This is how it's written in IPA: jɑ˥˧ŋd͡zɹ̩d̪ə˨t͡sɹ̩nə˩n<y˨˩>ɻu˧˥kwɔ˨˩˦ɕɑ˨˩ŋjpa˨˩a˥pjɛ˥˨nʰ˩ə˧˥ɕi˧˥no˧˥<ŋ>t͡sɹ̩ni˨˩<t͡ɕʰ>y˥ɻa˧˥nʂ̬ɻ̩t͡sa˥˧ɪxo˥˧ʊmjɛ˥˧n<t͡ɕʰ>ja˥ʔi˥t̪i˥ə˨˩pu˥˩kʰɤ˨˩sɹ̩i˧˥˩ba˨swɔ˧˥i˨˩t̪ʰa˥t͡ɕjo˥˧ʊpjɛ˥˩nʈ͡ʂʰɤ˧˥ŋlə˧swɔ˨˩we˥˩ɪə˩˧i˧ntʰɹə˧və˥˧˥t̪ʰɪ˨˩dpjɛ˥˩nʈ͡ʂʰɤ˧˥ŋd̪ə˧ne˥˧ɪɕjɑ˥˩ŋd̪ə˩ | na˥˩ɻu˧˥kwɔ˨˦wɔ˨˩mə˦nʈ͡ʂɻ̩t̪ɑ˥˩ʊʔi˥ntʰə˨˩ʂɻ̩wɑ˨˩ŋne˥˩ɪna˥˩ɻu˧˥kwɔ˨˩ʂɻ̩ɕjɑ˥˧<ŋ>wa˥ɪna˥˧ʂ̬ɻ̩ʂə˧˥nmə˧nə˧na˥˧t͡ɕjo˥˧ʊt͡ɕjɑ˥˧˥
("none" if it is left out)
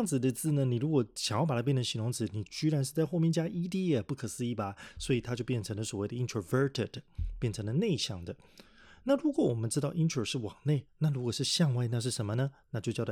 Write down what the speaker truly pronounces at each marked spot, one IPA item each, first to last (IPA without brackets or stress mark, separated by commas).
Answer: i˨˩, ŋ, t͡ɕ, t͡ɕ, ŋ